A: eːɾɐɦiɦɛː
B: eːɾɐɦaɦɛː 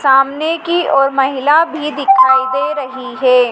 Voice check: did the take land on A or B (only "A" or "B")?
A